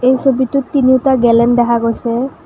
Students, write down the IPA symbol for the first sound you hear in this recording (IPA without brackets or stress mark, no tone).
e